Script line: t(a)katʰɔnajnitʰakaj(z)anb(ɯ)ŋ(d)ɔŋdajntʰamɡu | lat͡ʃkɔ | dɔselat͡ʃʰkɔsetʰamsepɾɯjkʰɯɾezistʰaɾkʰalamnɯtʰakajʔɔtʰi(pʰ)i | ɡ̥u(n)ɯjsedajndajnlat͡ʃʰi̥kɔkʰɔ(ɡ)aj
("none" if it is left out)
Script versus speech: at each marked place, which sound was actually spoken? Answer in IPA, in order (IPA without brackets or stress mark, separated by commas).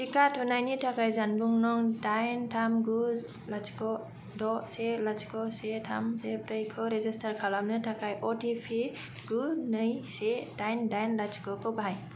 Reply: i, z, u, n, pʰ, n, b